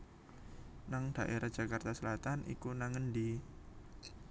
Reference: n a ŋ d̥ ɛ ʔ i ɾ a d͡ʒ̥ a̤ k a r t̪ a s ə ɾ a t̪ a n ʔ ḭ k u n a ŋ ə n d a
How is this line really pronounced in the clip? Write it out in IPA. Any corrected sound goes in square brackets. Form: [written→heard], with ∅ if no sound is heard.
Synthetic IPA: n a ŋ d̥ [ɛ→a] ʔ [i→e] ɾ a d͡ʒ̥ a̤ k a r t̪ a s ə [ɾ→l] a t̪ a n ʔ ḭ k u n a ŋ ə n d [a→i]